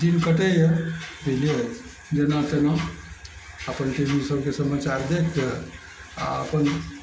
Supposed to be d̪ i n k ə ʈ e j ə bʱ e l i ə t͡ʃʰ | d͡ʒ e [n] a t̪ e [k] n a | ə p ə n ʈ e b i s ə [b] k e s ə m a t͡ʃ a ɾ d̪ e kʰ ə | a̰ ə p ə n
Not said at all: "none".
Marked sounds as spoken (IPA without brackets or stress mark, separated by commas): n, none, b